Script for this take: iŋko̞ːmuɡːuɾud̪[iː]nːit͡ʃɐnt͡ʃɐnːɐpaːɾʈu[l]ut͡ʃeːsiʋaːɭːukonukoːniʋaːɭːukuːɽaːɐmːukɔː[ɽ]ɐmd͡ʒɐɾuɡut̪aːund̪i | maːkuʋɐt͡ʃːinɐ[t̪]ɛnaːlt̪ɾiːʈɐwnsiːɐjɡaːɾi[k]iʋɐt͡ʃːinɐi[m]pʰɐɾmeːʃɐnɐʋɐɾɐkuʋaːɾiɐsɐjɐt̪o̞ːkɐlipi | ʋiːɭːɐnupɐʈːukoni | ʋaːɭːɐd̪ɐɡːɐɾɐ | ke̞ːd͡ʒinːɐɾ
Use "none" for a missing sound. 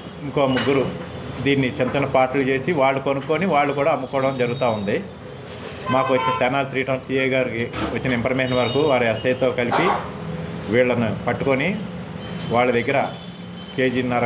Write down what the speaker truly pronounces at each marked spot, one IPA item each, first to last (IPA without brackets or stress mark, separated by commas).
iː, l, ɽ, t̪, k, m